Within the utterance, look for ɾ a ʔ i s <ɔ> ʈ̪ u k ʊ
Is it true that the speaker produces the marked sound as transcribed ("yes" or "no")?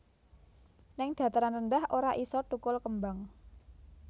yes